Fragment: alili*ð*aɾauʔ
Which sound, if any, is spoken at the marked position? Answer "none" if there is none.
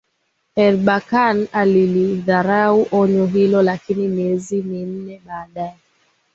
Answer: ð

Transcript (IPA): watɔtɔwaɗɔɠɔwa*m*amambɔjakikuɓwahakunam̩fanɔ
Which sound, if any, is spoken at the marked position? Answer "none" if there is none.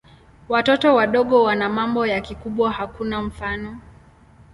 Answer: n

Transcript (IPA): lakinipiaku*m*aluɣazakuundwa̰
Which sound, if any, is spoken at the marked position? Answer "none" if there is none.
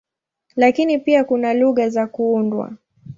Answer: n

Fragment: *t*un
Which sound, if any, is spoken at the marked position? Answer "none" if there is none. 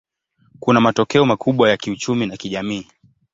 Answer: k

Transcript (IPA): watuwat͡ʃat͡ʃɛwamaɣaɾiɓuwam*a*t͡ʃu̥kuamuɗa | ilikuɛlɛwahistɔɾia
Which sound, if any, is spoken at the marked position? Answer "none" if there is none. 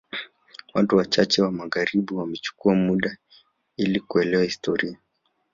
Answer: ɛ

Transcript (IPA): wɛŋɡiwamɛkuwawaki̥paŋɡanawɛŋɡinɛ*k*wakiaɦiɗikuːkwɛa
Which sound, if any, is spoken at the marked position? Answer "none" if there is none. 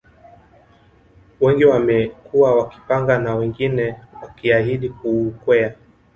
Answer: none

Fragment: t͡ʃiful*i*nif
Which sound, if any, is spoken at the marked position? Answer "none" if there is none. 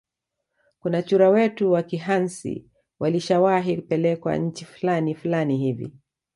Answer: a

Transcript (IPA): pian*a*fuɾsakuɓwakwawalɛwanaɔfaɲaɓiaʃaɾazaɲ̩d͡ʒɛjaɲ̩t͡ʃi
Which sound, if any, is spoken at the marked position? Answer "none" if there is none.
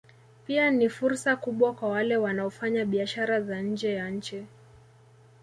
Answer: i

